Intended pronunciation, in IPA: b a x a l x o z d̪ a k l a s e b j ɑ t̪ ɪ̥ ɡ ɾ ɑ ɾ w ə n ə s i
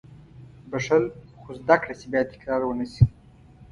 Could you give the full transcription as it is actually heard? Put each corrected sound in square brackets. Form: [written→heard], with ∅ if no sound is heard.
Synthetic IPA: b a [x→ʂ] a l x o z d̪ a k [l→ɽ] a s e b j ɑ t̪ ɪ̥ [ɡ→k] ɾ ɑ ɾ w ə n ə s i